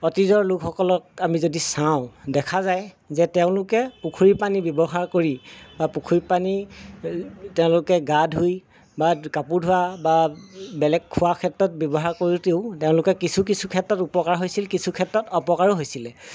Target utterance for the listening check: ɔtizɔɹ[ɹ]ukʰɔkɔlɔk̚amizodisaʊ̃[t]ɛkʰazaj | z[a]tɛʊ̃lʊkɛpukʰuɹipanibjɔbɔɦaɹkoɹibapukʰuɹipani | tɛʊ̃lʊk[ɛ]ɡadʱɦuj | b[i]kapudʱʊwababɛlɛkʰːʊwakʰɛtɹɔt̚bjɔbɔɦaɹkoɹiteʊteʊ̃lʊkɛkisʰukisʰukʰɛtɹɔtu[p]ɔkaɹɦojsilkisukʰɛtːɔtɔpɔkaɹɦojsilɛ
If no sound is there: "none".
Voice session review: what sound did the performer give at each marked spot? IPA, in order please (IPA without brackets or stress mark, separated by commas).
l, d, ɛ, ɛ, a, p